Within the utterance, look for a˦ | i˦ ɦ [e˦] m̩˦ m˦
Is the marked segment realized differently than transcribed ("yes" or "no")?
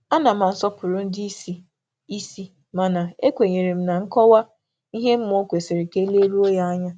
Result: no